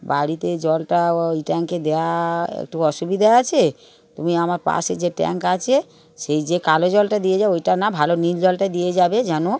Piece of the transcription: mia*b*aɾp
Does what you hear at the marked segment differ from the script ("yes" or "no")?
yes